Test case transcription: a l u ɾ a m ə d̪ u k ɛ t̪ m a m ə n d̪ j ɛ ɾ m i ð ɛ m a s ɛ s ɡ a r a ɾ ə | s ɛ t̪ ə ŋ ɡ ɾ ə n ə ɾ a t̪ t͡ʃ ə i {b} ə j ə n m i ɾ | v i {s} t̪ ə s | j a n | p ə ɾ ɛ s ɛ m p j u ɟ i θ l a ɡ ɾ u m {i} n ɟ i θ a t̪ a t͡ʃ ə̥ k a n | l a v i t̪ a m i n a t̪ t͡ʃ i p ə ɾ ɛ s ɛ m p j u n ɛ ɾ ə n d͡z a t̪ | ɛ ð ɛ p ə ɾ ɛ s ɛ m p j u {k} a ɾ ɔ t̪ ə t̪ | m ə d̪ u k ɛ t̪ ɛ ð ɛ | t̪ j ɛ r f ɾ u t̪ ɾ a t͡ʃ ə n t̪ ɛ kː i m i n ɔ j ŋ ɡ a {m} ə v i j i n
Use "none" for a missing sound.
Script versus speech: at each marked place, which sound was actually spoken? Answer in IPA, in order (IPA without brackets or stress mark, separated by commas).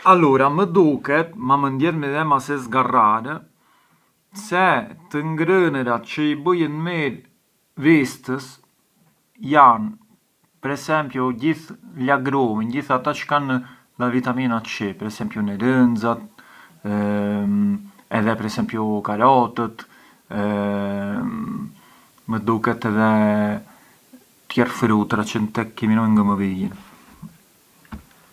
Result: b, s, i, k, m